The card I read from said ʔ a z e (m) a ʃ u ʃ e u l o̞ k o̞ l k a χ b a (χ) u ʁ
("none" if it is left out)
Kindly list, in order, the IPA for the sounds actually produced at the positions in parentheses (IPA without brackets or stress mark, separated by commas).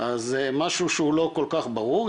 m, ʁ